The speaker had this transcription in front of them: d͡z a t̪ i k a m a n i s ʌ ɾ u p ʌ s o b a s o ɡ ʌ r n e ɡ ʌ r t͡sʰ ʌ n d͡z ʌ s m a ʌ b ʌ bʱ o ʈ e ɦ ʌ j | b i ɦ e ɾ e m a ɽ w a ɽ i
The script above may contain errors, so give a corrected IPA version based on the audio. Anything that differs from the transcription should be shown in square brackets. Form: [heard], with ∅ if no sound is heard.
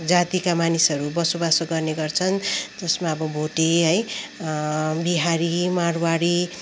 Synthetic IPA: d͡z a t̪ i k a m a n i s ʌ ɾ u [b] ʌ s o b a s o ɡ ʌ r n e ɡ ʌ r t͡sʰ ʌ n d͡z ʌ s m a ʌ b ʌ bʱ o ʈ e ɦ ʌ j | b i ɦ [a] ɾ [i] m a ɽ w a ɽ i